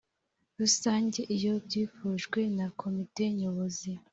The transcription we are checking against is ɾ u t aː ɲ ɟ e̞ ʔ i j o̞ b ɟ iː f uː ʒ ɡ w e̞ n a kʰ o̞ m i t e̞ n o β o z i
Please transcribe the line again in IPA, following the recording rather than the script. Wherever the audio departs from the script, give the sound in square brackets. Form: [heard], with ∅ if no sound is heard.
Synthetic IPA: ɾ u [s] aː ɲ ɟ e̞ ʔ i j o̞ b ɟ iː f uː ʒ ɡ w e̞ n a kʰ o̞ m i t e̞ [ɲ] o β o z i